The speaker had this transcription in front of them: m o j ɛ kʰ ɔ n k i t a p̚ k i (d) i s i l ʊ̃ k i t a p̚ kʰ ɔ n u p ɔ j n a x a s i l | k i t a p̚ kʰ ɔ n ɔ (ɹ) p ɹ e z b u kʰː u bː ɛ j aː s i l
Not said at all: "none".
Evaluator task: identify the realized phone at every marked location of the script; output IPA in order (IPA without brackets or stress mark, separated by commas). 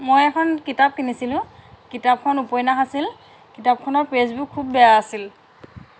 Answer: n, ɹ